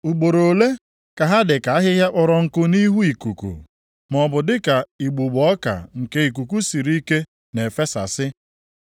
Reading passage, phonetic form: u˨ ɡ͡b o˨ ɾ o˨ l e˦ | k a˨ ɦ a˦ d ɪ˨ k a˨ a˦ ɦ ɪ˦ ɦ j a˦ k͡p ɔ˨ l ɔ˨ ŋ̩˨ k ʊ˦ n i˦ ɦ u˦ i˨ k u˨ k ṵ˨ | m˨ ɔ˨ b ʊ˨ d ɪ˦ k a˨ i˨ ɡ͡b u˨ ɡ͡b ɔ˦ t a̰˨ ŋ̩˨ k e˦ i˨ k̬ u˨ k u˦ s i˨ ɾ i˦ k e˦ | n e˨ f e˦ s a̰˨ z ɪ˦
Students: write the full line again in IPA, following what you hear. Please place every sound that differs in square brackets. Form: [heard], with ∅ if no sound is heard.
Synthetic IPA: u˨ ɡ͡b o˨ ɾ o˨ l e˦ | k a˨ ɦ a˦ d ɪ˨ k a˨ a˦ ɦ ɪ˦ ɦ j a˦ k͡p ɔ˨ [ɾ] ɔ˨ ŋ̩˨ k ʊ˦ n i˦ ɦ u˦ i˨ k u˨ k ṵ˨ | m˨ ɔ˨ b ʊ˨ d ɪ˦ k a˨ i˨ ɡ͡b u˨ ɡ͡b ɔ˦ [k] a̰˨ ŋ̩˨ k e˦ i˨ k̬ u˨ k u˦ s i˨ ɾ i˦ k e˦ | n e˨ f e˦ s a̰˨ [s] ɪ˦